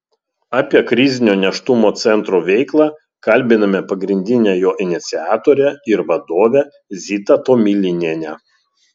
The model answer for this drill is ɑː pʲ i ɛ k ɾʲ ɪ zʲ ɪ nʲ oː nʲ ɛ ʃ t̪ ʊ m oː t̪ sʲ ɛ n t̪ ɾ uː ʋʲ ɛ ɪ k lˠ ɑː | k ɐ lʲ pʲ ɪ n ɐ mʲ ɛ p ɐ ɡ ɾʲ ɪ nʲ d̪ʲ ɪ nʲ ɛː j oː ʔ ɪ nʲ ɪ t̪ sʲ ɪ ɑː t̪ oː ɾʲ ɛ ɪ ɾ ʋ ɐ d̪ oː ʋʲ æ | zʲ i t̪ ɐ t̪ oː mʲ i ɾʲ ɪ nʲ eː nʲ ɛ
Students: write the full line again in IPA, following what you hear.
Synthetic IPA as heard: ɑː pʲ i ɛ k ɾʲ ɪ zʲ ɪ nʲ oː nʲ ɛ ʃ t̪ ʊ m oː t̪ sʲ ɛ n t̪ ɾ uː ʋʲ ɛ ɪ k lˠ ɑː | k ɐ lʲ bʲ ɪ n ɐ mʲ ɛ p ɐ ɡ ɾʲ ɪ nʲ d̪ʲ ɪ nʲ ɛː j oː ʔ ɪ nʲ ɪ t̪ sʲ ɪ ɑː t̪ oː ɾʲ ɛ ɪ ɾ ʋ ɐ d̪ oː ʋʲ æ | zʲ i t̪ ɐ t̪ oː mʲ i lʲ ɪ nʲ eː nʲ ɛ